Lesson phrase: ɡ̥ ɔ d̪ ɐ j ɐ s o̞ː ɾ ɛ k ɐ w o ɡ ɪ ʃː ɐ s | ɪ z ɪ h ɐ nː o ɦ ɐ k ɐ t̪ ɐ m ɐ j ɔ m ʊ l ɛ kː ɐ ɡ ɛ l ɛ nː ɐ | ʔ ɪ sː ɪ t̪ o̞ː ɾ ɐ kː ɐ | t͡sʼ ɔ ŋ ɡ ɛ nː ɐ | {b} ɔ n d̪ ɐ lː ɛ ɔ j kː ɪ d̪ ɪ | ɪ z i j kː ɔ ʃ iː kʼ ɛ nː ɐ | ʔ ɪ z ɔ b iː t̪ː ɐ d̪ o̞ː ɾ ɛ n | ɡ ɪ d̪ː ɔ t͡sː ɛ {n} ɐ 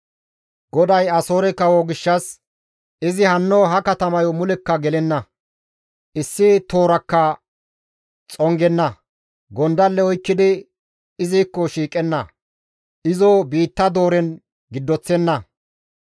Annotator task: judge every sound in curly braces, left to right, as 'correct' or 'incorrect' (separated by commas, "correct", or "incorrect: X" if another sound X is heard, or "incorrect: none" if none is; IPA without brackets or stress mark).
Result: incorrect: ɡ, incorrect: nː